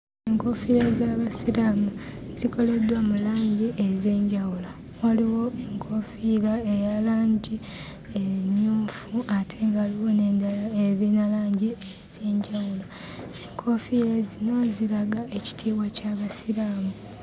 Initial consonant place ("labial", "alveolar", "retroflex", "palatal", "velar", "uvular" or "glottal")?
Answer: velar